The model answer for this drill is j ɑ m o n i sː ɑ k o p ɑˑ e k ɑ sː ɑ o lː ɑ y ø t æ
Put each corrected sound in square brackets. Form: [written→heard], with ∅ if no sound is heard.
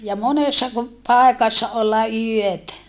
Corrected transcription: j ɑ m o n [i→e] sː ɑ k [o→u] p ɑˑ e k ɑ sː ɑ o lː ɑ y ø t æ

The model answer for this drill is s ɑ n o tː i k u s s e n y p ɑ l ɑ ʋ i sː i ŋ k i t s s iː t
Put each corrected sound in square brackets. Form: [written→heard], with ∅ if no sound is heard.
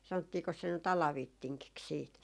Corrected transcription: s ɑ n o tː [i→iː] k [u→o] s s e n y [p→t] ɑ l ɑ ʋ i [sː→tː] i ŋ k i [t→k] s s iː t

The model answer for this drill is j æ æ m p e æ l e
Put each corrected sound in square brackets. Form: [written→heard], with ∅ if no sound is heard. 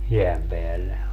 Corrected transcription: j [æ→e] æ m p e æ [l→lː] e

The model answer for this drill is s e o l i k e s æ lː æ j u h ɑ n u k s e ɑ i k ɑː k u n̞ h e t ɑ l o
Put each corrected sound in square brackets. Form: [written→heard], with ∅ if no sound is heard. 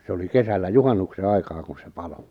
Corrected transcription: s e o l i k e s æ lː æ j u h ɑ [n→nː] u k s e ɑ i k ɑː k u n̞ [h→s] e [t→p] ɑ l o

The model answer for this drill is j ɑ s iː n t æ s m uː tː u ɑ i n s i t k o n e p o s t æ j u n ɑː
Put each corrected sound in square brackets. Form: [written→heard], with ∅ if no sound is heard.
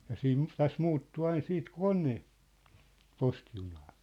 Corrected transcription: j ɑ s iː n t æ s m uː tː u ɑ i n s [i→iː] t k o n e p o s t [æ→i] j u n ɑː

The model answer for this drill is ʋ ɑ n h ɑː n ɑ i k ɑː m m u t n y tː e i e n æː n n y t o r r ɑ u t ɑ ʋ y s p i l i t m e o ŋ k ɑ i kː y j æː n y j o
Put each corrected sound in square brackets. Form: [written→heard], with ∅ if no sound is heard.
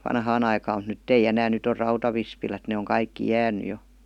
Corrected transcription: ʋ ɑ n h ɑː n ɑ i k ɑː m m u t n y tː e i e n æː n n y t o r r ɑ u t ɑ ʋ [y→i] s p i l [i→æ] t [m→n] e o ŋ k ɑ i kː [y→i] j æː n y j o

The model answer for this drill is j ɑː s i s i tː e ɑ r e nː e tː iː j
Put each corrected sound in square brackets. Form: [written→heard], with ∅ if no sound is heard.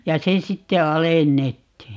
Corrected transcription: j [ɑː→ɑ] s [i→e] s i tː e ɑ [r→l] e nː e tː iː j

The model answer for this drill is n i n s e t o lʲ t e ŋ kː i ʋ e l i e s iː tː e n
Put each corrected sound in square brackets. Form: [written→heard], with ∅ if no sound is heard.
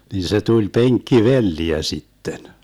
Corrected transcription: n i n s e t [o→u] lʲ [t→p] e ŋ kː i ʋ e [l→lː] i [e→æ] s [iː→i] tː e n

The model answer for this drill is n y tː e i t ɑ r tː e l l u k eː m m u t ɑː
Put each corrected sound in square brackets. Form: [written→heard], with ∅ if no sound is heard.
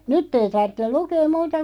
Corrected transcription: n y tː e i t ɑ r tː e l l u k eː m m [u→uː] t [ɑː→ɑ]

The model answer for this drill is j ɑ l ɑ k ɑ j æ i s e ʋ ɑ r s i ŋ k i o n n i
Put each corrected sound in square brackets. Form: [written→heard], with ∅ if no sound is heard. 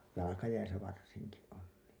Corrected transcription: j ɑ l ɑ k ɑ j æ i s [e→æ] ʋ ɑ r s i ŋ k i o n n [i→iː]

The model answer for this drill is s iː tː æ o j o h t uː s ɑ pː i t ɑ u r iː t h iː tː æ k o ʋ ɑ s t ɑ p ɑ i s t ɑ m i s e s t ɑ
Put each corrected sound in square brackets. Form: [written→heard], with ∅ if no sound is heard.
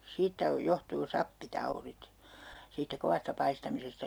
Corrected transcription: s iː tː æ o j o h t uː s ɑ pː i t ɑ u r [iː→i] t [h→s] iː tː æ k o ʋ ɑ s t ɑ p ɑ i s t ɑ m i s e s t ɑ

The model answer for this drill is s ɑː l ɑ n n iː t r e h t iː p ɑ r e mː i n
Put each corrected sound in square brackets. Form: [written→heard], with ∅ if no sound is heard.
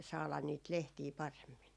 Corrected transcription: s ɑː l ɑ n n iː t [r→l] e h t iː p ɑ r e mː i n

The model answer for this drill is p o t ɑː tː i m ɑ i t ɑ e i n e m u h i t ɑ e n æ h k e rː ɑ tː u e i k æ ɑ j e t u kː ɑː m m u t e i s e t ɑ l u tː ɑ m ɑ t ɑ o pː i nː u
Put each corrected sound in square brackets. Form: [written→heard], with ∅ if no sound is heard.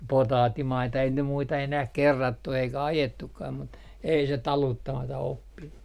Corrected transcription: p o t ɑː tː i m ɑ i t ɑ e i n e m u [h→∅] i t ɑ e n æ h k e rː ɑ tː u e i k æ ɑ j e t u kː ɑː m m u t e i s e t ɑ l u tː ɑ m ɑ t ɑ o pː i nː u

